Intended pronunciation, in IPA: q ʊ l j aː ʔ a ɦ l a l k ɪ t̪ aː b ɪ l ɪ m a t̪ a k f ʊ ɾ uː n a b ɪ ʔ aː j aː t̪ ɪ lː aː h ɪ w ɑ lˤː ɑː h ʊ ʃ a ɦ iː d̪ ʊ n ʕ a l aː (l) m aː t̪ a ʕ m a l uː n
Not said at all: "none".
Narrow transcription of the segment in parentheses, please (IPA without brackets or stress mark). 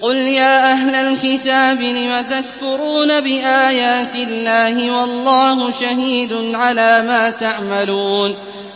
none